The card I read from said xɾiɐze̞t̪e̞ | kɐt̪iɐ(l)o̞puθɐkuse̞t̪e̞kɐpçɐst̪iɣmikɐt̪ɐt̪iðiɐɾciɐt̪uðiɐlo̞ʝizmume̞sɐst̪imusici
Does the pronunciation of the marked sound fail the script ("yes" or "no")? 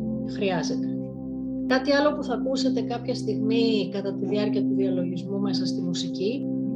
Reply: no